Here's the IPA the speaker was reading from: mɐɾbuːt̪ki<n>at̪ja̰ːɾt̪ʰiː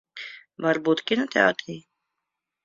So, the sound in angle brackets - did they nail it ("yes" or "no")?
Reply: yes